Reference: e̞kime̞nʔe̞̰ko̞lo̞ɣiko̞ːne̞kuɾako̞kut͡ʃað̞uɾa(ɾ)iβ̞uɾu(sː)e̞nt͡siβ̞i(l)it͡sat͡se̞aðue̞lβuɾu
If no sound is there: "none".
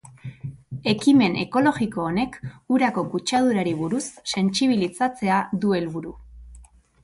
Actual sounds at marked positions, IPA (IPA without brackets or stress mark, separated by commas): ɾ, sː, l